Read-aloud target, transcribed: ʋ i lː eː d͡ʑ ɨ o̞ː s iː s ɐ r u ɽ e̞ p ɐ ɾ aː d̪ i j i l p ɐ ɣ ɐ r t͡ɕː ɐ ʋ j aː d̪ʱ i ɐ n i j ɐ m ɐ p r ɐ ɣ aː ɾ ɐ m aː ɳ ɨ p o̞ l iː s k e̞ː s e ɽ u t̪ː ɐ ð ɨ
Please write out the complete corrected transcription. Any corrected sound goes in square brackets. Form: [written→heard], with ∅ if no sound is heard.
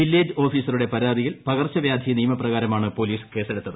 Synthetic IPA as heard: ʋ i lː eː d͡ʑ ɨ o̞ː [s→f] iː s ɐ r u ɽ e̞ p ɐ ɾ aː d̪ i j i l p ɐ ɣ ɐ r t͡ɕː ɐ ʋ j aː d̪ʱ i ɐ n i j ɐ m ɐ p r ɐ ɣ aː ɾ ɐ m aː ɳ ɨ p o̞ l iː s k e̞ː s e ɽ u t̪ː ɐ ð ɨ